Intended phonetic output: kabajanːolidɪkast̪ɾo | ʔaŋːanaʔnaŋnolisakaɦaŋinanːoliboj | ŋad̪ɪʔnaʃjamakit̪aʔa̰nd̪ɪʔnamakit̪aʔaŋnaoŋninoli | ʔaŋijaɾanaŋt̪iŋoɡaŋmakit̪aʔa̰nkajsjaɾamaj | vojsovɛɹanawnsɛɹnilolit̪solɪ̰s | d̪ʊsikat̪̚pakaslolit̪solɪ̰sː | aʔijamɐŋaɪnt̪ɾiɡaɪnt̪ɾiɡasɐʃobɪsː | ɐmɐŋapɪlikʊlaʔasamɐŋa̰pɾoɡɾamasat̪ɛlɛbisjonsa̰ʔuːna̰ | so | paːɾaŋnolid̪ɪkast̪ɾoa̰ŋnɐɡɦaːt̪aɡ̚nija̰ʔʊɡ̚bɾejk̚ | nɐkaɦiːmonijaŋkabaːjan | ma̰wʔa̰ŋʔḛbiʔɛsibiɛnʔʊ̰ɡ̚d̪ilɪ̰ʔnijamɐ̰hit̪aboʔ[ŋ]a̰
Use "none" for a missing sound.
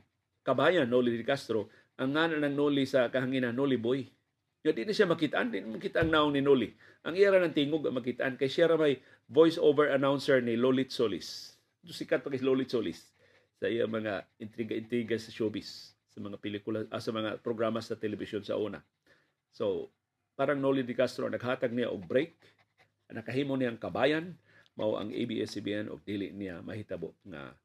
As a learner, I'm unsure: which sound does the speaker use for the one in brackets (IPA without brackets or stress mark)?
ŋ